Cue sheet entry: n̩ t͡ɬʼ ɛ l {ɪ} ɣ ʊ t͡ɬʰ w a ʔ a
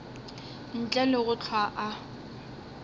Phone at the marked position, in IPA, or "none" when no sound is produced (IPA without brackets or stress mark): ɪ